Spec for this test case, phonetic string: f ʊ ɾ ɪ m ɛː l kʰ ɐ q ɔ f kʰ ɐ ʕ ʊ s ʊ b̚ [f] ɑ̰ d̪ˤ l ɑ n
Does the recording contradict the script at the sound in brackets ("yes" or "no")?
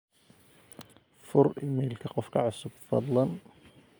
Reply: no